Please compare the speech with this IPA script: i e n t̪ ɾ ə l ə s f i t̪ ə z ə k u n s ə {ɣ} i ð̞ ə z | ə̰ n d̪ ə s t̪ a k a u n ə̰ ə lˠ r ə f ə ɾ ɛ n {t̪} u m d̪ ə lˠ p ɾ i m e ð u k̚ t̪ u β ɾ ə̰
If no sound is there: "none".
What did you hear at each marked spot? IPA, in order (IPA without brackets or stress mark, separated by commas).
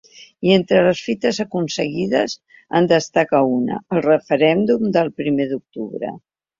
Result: ɣ, d̪